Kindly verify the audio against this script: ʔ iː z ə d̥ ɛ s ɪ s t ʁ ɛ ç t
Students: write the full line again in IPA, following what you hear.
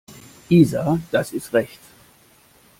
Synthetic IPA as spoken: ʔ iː z a d̥ a s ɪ s t ʁ ɛ ç t